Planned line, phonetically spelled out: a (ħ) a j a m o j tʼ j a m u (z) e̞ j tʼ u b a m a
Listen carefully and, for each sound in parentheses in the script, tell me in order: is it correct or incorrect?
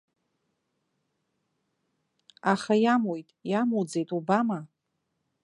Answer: incorrect: χ, incorrect: d͡z

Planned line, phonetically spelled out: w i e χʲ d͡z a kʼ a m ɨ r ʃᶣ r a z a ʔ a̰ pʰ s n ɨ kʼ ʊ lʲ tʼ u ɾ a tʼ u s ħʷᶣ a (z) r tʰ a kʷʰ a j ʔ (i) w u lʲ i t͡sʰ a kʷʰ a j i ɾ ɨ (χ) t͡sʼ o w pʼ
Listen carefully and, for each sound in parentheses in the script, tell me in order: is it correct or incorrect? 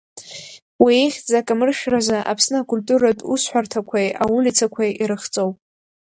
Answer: incorrect: none, incorrect: a, correct

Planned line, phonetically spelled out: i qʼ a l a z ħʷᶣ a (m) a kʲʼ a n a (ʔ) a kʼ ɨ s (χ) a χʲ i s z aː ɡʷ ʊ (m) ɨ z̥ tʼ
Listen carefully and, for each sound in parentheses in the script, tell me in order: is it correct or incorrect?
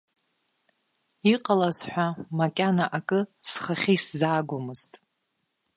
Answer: correct, correct, correct, correct

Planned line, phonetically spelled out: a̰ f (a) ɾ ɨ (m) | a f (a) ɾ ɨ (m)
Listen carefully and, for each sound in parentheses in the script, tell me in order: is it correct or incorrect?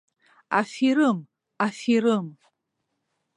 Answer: incorrect: i, correct, incorrect: i, correct

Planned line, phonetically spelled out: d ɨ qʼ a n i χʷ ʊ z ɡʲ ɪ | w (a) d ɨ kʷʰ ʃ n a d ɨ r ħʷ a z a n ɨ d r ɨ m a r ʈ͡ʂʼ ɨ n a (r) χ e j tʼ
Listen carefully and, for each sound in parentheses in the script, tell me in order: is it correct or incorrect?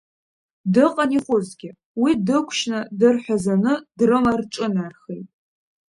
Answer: incorrect: i, correct

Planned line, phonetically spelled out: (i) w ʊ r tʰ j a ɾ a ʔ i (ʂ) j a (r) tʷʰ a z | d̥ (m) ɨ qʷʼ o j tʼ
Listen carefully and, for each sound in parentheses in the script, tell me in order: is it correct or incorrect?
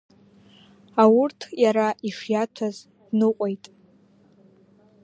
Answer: incorrect: a, correct, incorrect: none, incorrect: n

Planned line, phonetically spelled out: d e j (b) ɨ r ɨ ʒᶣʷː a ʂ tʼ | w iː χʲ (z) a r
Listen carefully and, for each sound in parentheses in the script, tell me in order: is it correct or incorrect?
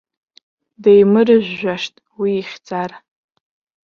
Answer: incorrect: m, incorrect: d͡z

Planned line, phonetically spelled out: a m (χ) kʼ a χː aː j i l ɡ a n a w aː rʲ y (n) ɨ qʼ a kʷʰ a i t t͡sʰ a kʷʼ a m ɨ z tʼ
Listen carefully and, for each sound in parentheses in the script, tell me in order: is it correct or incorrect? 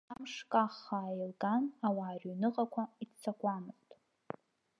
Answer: incorrect: ʂ, correct

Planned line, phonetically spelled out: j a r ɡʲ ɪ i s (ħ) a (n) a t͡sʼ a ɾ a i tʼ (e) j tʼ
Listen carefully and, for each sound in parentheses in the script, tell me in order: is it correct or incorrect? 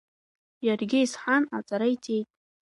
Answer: correct, correct, correct

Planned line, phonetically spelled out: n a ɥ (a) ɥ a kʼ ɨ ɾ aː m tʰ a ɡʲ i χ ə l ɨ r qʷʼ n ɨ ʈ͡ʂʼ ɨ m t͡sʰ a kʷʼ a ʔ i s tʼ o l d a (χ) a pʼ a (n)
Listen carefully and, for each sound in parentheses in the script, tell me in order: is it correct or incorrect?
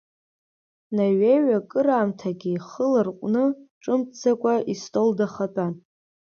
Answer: incorrect: e, correct, correct

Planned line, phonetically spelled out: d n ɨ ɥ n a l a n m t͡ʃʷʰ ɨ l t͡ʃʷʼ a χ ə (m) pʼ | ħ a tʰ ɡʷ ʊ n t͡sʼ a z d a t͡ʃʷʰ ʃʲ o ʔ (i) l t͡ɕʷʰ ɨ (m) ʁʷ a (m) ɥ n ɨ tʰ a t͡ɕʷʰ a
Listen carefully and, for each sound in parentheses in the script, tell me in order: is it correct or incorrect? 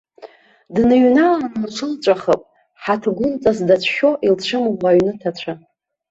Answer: incorrect: none, correct, correct, incorrect: none

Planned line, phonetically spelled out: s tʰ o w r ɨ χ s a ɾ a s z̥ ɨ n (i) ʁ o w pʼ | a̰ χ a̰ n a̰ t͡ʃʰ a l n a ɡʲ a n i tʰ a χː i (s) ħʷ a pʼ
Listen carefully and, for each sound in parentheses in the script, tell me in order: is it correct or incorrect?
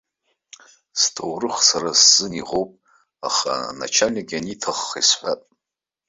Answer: correct, correct

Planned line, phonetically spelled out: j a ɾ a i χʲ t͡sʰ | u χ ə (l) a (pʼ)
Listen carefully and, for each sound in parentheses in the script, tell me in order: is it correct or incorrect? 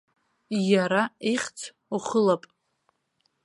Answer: correct, correct

